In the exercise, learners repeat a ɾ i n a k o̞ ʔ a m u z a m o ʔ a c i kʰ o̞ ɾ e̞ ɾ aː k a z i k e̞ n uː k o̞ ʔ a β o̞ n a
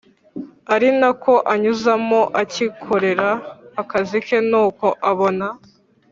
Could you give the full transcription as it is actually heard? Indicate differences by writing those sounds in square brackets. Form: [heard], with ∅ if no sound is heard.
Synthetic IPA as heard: a ɾ i n a k o̞ ʔ a [ɲ] u z a m o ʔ a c i kʰ o̞ ɾ e̞ ɾ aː k a z i k e̞ n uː k o̞ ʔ a β o̞ n a